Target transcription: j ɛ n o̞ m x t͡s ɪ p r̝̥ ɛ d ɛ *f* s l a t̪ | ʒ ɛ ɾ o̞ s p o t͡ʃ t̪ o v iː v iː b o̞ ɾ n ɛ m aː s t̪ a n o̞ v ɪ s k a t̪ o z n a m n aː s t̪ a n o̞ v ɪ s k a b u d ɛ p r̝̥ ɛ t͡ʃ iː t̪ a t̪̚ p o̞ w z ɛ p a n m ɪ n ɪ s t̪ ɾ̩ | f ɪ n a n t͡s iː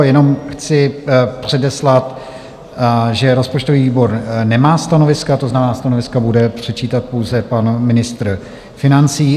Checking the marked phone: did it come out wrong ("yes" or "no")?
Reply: yes